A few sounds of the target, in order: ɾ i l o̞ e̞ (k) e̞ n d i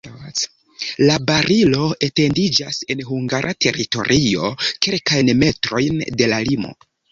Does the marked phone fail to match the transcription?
yes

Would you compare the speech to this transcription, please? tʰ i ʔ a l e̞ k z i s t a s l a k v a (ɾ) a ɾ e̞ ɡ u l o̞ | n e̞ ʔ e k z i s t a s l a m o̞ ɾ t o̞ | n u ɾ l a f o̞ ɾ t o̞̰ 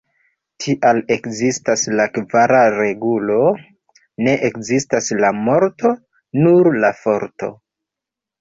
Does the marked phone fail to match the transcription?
no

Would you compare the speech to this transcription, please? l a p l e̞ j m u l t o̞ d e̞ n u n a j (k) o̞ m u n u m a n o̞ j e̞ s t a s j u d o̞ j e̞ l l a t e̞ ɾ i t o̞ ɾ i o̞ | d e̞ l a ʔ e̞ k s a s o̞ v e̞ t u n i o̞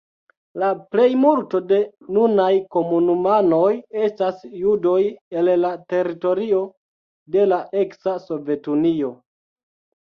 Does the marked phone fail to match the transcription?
no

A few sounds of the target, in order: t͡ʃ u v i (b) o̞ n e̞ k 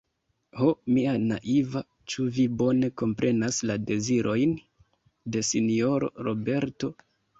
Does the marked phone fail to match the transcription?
no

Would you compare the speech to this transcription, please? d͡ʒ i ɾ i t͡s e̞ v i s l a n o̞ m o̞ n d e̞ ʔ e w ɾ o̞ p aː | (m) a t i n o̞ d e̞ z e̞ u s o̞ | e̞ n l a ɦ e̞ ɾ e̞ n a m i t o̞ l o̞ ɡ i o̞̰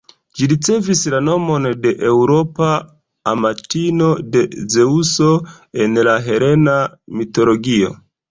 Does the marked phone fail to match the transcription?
no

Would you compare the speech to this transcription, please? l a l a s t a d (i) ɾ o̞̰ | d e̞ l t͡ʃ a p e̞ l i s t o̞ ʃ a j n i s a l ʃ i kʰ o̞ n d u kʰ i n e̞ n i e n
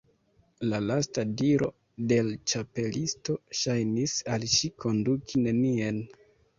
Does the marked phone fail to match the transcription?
no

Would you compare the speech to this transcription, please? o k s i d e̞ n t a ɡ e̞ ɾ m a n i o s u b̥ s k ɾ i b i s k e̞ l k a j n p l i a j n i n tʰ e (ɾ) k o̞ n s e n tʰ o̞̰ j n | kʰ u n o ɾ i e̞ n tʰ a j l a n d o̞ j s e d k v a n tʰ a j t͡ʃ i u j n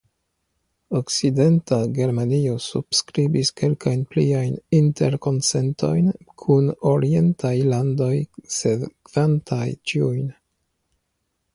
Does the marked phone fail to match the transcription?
no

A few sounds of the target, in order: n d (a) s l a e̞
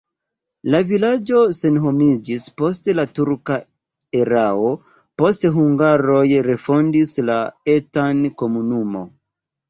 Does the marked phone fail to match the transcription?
yes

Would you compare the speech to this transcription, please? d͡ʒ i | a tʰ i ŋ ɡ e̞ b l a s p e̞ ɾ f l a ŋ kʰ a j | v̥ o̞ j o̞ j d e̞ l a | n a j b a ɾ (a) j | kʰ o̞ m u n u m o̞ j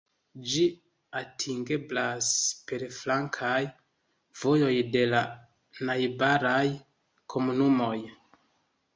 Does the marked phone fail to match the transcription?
no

